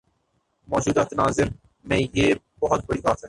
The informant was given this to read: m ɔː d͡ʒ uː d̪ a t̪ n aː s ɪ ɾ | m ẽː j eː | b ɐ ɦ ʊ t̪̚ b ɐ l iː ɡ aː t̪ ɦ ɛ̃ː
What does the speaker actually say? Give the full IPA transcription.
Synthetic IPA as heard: m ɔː d͡ʒ uː d̪ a t̪ n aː z ɪ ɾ | m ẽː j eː | b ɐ ɦ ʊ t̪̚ b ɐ ɽ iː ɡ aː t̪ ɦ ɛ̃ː